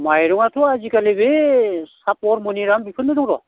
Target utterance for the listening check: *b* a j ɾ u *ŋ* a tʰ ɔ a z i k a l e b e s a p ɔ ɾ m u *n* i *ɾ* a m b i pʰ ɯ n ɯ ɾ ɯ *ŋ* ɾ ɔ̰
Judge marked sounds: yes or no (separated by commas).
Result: no, yes, yes, yes, yes